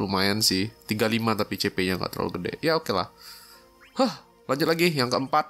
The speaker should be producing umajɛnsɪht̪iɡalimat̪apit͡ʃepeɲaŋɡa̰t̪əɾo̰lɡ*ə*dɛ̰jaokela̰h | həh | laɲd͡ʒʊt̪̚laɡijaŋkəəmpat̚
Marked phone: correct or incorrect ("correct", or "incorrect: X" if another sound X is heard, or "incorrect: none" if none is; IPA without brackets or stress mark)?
correct